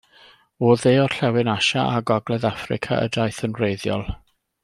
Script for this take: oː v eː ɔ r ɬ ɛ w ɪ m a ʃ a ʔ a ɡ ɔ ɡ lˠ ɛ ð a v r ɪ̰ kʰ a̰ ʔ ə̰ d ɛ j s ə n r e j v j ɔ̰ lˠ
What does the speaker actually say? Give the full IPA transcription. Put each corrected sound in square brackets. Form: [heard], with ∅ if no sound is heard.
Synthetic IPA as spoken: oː [ð] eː ɔ r ɬ ɛ w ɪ [n] a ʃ a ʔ a ɡ ɔ ɡ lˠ ɛ ð a [f] r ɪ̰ kʰ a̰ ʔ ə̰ d [a] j [θ] ə n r e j [ð] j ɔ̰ lˠ